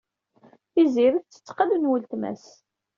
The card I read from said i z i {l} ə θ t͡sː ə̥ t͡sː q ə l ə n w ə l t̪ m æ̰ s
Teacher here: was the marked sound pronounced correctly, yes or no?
no